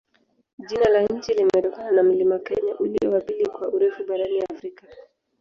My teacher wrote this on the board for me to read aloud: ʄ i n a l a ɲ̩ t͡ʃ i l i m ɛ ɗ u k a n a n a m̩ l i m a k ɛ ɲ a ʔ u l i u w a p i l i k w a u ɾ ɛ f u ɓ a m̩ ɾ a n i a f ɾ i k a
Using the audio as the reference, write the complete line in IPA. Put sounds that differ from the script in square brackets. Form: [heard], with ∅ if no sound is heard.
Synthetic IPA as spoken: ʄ i n a l a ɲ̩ t͡ʃ i l i m ɛ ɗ [ɔ] k a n a n a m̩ l i m a k ɛ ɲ a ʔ u l i [ɔ] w a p i l i k w a u ɾ ɛ f u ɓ a [∅] ɾ a n i a f ɾ i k a